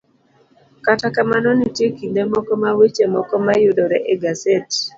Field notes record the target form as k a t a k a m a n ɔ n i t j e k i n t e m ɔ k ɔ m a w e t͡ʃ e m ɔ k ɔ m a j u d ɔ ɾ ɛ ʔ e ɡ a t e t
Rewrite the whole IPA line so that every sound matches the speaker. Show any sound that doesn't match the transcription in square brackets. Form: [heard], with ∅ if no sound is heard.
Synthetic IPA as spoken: k a t a k a m a n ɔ n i t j e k i n [d] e m ɔ k ɔ m a w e t͡ʃ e m ɔ k ɔ m a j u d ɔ ɾ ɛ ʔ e ɡ a [s] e t